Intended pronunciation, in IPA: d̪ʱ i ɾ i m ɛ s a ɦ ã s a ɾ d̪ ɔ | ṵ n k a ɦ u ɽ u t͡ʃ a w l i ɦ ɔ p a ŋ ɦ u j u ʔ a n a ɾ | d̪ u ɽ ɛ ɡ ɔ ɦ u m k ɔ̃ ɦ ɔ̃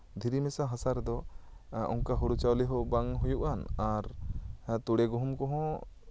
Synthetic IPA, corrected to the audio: d̪ʱ i ɾ i m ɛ s a ɦ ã s a ɾ d̪ ɔ | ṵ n k a ɦ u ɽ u t͡ʃ a w l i ɦ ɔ b a ŋ ɦ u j u ʔ a n a ɾ | t̪ u ɽ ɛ ɡ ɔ ɦ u m k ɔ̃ ɦ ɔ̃